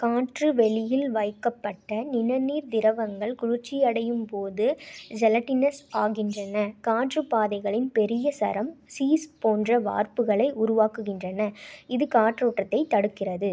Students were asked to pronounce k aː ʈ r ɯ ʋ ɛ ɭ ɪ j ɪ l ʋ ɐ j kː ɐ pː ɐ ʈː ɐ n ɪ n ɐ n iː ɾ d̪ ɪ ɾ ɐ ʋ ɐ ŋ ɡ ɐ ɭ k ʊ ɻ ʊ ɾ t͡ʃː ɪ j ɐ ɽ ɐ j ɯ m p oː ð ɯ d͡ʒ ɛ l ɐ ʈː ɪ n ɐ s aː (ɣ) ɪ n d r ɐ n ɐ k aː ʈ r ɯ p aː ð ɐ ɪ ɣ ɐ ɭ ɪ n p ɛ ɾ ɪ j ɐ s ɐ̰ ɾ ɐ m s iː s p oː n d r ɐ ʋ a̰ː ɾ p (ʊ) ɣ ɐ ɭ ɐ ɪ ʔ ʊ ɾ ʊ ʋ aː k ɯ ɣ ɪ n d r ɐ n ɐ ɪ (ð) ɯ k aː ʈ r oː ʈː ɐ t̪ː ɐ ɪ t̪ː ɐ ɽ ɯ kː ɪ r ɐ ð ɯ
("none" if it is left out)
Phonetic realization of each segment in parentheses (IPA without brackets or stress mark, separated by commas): ɣ, ɯ, ð